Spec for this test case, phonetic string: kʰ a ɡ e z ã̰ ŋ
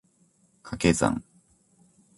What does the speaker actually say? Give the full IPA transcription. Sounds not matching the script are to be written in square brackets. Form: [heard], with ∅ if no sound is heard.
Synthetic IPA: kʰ a [k] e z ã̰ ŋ